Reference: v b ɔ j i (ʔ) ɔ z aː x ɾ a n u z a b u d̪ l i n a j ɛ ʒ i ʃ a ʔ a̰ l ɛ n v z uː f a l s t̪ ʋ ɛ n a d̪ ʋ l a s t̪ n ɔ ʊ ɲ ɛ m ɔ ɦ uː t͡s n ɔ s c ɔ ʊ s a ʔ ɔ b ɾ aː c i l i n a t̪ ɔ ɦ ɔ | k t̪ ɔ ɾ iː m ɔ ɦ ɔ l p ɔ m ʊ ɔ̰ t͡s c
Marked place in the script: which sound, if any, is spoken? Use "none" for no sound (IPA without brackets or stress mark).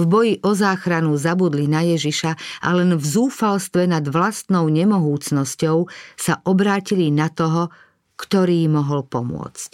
ʔ